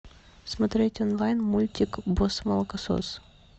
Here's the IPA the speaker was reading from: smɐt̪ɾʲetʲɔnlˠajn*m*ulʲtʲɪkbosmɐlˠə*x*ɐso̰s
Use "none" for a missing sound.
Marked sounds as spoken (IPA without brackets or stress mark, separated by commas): m, k